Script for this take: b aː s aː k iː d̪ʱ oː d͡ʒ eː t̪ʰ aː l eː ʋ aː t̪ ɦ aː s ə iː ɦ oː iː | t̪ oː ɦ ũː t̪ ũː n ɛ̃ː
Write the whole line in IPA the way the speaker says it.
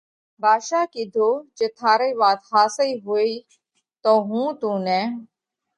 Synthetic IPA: b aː ʃ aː k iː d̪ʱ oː d͡ʒ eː t̪ʰ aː ɾ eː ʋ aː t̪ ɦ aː s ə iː ɦ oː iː | t̪ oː ɦ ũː t̪ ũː n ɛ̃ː